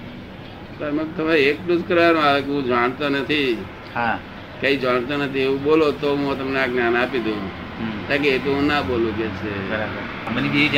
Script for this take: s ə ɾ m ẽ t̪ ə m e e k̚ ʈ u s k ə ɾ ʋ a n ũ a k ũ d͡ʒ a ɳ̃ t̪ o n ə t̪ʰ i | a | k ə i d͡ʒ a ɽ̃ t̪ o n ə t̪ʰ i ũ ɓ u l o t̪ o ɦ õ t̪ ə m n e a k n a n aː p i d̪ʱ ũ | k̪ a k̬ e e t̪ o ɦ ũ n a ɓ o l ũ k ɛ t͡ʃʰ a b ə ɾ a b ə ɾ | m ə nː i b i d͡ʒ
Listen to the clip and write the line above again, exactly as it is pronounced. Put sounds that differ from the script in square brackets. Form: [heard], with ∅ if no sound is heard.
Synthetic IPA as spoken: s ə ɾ m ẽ t̪ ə m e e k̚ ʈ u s k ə ɾ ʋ a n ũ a k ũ d͡ʒ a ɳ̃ t̪ o n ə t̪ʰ i | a | k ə i d͡ʒ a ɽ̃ t̪ o n ə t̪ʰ i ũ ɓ [o] l o t̪ o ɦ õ t̪ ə m n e a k n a n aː p i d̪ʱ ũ | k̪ a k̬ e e t̪ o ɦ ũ n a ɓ o l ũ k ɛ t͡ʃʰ [e] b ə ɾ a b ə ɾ | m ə [n] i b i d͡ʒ